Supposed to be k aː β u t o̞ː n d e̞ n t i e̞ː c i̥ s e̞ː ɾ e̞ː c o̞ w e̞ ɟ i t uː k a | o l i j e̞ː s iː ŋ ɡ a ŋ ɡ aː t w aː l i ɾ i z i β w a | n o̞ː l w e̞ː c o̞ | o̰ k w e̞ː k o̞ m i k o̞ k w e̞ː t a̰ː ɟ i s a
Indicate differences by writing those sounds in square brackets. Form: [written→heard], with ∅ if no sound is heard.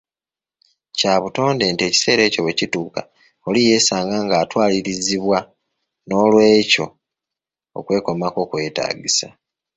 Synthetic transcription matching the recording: [k→c] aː β u t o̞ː n d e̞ n t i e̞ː c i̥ s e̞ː ɾ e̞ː c o̞ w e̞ [ɟ→c] i t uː k a | o l i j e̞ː s [iː→aː] ŋ ɡ a ŋ ɡ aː t w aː l i ɾ i z i β w a | n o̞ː l w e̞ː c o̞ | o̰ k w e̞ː k o̞ m [i→a] k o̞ k w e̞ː t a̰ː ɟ i s a